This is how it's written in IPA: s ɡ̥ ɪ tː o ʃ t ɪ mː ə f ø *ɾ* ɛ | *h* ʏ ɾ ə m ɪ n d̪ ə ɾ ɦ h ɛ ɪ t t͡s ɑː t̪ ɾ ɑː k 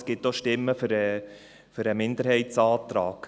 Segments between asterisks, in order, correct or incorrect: correct, incorrect

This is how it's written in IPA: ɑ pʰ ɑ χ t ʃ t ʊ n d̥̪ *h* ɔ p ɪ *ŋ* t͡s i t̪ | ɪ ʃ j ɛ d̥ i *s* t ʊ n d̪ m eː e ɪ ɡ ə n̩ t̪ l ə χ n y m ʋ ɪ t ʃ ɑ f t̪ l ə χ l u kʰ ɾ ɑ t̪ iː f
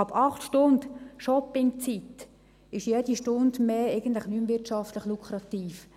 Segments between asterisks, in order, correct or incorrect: incorrect, correct, incorrect

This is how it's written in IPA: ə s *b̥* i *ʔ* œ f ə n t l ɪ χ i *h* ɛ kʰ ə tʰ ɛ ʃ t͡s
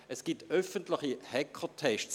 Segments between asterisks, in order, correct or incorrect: incorrect, incorrect, correct

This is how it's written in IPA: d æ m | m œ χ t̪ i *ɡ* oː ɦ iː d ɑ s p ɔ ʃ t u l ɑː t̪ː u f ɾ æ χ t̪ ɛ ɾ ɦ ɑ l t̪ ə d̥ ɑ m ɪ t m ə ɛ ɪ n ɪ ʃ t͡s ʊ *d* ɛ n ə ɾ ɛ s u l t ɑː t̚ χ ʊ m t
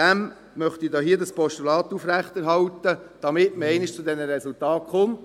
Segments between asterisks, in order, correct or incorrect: incorrect, correct

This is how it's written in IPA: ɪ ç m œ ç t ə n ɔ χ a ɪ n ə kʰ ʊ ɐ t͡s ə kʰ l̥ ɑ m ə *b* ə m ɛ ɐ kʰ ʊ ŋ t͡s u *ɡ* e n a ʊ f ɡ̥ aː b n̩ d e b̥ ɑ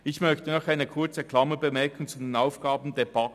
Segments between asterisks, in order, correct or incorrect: correct, incorrect

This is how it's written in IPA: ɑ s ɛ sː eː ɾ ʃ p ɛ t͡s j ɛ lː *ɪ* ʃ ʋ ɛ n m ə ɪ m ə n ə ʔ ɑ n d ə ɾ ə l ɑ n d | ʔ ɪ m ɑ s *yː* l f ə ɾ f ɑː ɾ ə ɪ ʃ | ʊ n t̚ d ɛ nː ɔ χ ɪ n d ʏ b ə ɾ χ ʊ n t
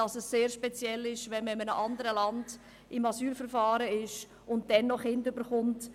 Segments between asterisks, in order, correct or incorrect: correct, correct

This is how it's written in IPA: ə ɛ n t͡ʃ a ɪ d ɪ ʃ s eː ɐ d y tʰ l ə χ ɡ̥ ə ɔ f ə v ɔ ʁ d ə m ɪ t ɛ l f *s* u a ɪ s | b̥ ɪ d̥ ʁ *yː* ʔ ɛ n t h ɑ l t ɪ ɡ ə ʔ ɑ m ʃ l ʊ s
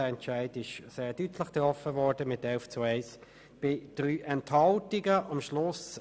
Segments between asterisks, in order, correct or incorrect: incorrect, correct

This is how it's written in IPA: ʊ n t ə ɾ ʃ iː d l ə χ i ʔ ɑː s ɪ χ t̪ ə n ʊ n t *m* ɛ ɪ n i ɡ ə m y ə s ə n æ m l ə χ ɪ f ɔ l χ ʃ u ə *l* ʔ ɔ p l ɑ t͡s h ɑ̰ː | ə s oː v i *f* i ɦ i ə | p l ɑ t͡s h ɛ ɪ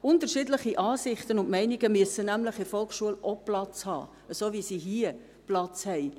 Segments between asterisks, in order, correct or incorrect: correct, correct, incorrect

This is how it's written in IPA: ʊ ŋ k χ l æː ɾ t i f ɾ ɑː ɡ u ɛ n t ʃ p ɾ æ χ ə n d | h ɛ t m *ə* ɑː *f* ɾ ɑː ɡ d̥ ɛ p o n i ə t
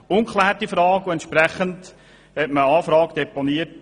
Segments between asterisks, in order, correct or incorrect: correct, correct

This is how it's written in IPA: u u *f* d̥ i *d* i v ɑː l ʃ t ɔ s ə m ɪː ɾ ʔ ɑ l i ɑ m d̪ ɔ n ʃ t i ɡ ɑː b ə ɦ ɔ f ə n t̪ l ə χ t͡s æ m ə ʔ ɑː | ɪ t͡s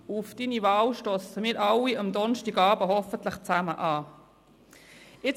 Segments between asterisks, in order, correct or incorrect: correct, incorrect

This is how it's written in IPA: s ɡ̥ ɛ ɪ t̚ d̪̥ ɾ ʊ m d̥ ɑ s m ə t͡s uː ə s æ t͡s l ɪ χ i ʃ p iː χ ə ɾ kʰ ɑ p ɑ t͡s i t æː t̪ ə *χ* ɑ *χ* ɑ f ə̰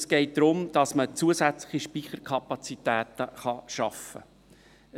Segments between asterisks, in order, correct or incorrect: correct, incorrect

